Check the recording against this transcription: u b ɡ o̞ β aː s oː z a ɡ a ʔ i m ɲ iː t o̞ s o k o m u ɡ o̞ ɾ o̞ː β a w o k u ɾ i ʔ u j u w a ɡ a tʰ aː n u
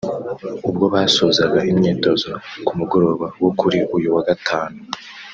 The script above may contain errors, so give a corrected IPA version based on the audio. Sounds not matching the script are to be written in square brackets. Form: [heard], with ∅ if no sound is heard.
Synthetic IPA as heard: u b ɡ o̞ β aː s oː z a ɡ a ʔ i m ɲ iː t o̞ [z] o k [u] m u ɡ o̞ ɾ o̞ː β a w o k u ɾ i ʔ u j u w a ɡ a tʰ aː n u